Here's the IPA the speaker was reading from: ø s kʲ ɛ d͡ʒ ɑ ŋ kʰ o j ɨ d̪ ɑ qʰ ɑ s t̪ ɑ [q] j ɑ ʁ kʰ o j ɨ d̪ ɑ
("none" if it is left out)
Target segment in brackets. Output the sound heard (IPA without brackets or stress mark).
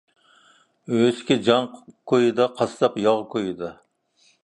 p